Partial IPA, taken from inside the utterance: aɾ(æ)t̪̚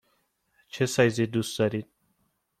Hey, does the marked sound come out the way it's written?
no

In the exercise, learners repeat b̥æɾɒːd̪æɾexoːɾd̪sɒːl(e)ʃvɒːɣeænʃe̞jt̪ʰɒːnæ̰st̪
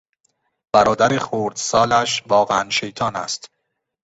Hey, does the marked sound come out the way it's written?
no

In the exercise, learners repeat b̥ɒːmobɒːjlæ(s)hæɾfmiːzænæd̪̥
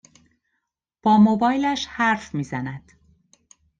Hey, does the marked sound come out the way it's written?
no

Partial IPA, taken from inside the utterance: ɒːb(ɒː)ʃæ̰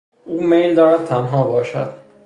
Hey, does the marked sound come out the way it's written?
yes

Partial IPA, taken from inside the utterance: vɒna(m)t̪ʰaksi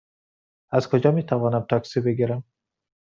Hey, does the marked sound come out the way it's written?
yes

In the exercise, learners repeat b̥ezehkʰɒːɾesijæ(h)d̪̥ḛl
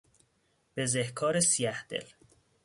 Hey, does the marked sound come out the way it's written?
yes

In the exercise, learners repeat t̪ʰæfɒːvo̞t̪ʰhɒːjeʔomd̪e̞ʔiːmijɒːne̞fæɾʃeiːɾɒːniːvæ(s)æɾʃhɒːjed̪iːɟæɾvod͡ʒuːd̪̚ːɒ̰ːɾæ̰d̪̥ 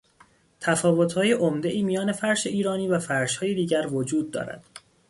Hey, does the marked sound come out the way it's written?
no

